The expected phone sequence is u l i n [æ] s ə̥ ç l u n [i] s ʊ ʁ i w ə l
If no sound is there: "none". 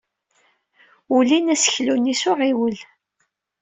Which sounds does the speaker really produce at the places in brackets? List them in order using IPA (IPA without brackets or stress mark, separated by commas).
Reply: æ, i